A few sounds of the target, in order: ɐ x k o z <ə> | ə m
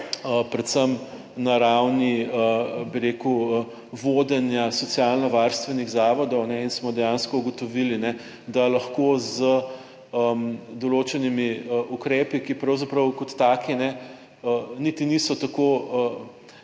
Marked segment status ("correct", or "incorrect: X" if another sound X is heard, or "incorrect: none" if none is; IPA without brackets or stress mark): correct